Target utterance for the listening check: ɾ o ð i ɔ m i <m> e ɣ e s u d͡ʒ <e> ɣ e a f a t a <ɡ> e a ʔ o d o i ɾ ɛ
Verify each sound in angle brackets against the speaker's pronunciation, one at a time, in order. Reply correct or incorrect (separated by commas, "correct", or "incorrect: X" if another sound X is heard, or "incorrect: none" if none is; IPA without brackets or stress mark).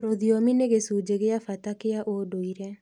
incorrect: n, correct, incorrect: k